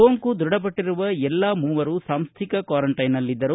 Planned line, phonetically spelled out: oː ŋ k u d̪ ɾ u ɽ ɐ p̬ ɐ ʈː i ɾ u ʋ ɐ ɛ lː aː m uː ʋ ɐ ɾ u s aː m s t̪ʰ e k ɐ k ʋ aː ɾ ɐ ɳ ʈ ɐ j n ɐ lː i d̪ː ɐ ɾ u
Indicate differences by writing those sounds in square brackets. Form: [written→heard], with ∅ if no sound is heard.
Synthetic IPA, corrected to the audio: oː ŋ k u d̪ ɾ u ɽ ɐ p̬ ɐ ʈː i ɾ u ʋ ɐ ɛ lː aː m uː ʋ ɐ ɾ u s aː m s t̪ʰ [e→i] k ɐ k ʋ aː ɾ ɐ ɳ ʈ ɐ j n ɐ lː i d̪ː ɐ ɾ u